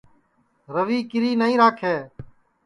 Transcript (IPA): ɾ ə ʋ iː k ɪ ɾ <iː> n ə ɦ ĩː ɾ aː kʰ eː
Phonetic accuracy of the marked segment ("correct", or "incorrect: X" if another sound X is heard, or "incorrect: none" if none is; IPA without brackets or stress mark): correct